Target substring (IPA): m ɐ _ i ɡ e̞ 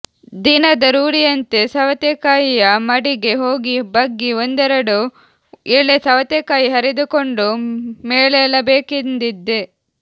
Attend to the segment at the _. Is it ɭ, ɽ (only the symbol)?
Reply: ɽ